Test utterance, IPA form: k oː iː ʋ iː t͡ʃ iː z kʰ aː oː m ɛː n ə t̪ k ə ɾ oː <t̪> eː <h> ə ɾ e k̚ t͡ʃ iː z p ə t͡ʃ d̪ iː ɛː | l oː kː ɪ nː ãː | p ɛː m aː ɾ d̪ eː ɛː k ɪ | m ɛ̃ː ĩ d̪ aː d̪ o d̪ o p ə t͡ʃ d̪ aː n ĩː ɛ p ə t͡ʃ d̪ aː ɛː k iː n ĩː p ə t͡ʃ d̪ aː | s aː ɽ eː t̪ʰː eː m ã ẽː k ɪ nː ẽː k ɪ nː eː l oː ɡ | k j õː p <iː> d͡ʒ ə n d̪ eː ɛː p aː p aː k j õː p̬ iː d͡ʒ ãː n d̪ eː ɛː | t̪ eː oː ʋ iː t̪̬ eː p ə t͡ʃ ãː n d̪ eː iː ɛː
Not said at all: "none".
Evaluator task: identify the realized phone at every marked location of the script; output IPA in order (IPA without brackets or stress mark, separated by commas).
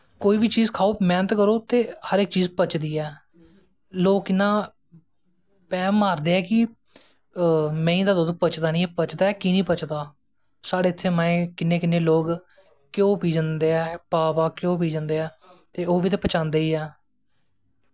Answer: t̪, h, iː